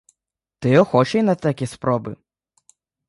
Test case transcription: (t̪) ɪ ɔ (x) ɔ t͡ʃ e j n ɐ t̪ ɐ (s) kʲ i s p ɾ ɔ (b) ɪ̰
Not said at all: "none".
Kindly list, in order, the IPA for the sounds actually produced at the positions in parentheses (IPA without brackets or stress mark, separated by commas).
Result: t̪, x, none, b